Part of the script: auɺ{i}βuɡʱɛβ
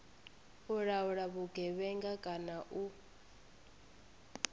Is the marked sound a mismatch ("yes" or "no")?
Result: yes